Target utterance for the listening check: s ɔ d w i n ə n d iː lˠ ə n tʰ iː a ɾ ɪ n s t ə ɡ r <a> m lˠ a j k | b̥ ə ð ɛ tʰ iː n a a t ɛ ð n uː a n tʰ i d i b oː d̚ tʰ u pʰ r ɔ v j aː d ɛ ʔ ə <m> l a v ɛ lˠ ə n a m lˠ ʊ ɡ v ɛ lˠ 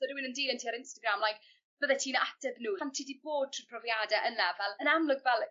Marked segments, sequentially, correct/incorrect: correct, incorrect

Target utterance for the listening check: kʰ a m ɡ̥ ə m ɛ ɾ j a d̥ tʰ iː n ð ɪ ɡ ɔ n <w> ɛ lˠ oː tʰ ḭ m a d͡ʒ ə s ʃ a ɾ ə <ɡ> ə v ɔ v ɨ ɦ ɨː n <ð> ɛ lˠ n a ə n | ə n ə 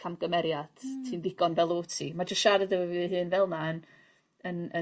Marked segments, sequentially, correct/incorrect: incorrect, incorrect, incorrect

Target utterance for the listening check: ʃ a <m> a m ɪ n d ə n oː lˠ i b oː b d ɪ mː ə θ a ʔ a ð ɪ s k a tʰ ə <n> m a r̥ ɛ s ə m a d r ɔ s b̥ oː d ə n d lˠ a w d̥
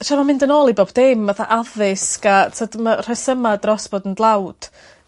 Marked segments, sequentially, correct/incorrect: correct, incorrect

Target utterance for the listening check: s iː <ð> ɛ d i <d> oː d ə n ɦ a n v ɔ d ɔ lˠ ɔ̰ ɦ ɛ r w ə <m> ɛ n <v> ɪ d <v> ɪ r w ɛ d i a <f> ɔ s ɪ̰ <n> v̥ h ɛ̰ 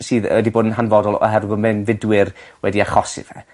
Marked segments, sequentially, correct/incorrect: correct, incorrect, correct, correct, incorrect, incorrect, incorrect

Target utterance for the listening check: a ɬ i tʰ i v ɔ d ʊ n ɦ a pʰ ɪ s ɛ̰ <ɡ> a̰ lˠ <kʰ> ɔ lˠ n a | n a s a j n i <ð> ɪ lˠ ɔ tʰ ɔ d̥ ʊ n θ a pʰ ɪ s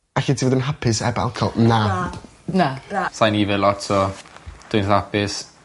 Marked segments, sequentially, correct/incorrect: incorrect, correct, incorrect

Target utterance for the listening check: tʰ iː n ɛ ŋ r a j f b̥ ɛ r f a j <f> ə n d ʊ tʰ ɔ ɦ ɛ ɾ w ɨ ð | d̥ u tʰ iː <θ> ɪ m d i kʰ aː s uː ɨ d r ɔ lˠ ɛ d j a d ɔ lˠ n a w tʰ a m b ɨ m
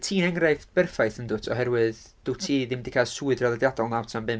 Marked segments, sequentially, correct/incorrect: incorrect, incorrect

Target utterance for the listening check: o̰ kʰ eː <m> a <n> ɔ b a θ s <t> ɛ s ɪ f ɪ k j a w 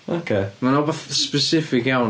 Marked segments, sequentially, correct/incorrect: correct, correct, incorrect

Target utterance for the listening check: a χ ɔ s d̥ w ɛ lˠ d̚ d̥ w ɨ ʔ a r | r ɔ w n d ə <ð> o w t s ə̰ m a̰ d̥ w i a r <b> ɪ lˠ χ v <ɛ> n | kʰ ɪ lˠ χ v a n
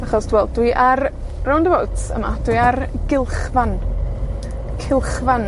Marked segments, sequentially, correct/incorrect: incorrect, incorrect, incorrect

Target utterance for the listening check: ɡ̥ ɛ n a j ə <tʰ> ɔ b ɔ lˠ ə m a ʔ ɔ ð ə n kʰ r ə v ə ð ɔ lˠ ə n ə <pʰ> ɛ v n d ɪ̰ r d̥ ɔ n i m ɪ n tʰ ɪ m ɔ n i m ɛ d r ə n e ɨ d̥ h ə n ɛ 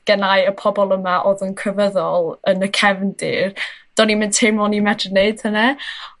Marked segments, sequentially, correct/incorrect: incorrect, incorrect

